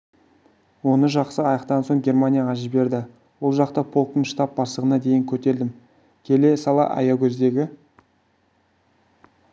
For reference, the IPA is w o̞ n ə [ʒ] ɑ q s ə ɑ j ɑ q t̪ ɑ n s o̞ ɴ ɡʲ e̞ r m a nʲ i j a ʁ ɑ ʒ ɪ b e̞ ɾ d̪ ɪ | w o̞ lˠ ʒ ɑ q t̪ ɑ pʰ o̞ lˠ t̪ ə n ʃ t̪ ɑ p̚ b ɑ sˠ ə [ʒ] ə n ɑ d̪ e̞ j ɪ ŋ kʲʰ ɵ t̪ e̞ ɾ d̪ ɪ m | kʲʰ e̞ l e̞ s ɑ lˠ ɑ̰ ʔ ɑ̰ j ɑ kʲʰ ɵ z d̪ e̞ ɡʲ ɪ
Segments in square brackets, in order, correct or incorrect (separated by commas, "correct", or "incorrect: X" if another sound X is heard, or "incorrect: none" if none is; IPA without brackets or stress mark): correct, incorrect: ʁ